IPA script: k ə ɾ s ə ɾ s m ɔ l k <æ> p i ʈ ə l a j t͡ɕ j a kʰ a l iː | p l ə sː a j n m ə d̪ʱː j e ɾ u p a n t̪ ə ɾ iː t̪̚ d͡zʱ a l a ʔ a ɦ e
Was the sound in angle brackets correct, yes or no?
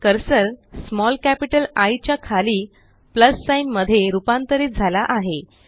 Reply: yes